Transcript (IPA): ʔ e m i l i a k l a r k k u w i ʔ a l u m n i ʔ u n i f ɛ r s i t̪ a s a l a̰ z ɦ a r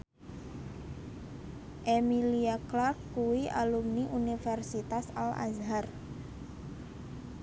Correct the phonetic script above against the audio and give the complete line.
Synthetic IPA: ʔ e m i l i a k l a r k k u w i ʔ a l u m n i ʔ u n i f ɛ r s i t̪ a s a l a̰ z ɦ a r